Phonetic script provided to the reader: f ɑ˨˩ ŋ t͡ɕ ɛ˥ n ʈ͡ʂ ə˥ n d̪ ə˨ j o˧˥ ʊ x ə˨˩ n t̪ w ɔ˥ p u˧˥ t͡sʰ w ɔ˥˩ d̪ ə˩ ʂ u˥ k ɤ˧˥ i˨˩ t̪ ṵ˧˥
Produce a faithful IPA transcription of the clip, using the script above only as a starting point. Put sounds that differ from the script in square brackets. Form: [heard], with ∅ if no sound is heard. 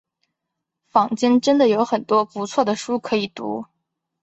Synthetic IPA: f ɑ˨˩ ŋ t͡ɕ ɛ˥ n ʈ͡ʂ ə˥ n d̪ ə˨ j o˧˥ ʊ x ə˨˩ n t̪ w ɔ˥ p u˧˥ t͡sʰ w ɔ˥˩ d̪ ə˩ ʂ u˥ [kʰ] ɤ˧˥ i˨˩ t̪ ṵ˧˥